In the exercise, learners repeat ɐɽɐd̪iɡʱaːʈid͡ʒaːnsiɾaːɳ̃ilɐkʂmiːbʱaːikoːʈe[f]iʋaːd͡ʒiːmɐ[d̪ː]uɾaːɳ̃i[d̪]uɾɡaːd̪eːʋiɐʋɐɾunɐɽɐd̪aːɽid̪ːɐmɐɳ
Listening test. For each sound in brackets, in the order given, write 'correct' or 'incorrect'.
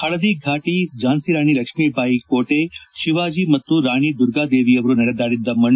incorrect: ʃ, incorrect: t̪ː, correct

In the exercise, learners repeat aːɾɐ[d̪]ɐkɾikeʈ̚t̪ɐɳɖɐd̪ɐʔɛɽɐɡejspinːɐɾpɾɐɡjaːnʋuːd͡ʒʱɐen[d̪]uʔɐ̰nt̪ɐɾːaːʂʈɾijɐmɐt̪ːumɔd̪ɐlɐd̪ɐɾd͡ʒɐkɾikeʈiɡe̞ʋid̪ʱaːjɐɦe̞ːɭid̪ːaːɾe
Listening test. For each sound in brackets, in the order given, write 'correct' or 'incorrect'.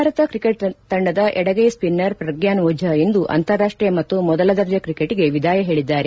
incorrect: t̪, correct

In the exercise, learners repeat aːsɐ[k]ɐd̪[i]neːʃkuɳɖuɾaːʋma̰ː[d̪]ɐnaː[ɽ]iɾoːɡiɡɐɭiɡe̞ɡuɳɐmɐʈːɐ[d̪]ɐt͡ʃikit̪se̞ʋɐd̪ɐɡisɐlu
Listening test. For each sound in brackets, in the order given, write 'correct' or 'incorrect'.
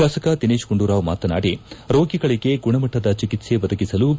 correct, correct, incorrect: t̪, correct, correct

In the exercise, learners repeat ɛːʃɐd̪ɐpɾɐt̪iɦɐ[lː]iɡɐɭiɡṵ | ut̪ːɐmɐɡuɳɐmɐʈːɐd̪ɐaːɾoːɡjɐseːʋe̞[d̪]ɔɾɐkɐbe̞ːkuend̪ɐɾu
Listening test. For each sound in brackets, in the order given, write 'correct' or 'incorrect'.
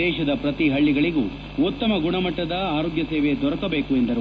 incorrect: ɭː, correct

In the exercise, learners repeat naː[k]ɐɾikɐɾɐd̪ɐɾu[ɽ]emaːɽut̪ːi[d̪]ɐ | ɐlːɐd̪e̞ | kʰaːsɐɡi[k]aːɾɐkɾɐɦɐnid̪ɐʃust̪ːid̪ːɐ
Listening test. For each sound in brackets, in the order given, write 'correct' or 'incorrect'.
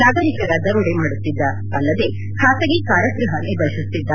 incorrect: ɡ, correct, incorrect: d̪ː, correct

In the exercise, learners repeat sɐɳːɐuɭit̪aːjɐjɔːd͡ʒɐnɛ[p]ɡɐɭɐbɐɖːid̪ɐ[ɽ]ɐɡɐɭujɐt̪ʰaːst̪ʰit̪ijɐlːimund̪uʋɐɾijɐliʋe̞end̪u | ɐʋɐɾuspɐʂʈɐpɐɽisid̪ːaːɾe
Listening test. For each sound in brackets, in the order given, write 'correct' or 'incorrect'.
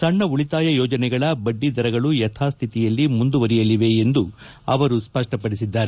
incorrect: none, incorrect: ɾ

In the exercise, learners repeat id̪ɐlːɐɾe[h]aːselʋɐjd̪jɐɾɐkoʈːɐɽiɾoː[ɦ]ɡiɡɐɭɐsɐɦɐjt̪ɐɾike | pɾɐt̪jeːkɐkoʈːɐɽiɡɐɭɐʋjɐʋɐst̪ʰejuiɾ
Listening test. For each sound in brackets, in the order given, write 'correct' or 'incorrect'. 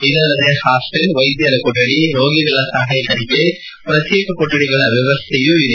correct, incorrect: none

